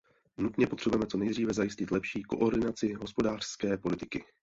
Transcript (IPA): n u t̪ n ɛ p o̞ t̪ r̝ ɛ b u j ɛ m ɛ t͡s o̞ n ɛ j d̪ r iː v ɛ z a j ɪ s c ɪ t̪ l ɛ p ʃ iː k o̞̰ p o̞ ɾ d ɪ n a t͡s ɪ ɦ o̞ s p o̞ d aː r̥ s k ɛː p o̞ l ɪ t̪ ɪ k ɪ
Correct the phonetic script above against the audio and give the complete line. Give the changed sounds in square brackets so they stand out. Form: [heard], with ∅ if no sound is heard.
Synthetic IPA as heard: n u t̪ [ɲ] ɛ p o̞ t̪ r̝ ɛ b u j ɛ m ɛ t͡s o̞ n ɛ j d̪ r iː v ɛ z a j ɪ s c ɪ t̪ l ɛ p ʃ iː k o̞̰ [ʔ] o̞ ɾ d ɪ n a t͡s ɪ ɦ o̞ s p o̞ d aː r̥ s k ɛː p o̞ l ɪ t̪ ɪ k ɪ